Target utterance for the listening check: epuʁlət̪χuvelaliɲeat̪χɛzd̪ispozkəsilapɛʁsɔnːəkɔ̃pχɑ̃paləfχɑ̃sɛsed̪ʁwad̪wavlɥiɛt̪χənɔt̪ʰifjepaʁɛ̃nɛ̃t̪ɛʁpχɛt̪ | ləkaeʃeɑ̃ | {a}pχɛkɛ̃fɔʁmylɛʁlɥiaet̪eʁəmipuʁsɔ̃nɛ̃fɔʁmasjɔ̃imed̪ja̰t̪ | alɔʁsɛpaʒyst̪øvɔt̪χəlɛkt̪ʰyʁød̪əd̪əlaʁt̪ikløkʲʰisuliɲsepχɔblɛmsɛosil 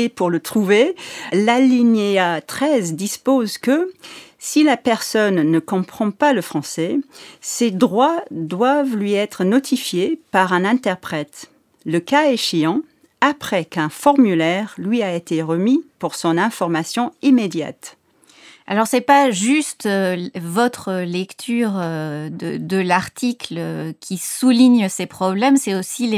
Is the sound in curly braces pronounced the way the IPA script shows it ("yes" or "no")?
yes